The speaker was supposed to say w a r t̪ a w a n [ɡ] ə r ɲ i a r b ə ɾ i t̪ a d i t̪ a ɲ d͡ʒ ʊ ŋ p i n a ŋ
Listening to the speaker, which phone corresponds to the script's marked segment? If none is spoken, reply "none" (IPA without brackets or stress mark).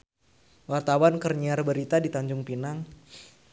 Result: k